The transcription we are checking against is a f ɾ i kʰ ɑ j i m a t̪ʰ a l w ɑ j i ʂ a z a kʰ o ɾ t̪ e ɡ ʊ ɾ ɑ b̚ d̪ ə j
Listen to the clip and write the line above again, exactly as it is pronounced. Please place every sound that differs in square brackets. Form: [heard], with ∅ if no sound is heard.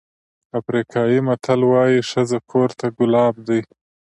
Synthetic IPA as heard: a f ɾ i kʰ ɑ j i m a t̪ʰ a l w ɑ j i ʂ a z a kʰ o ɾ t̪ [a] ɡ ʊ [l] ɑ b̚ d̪ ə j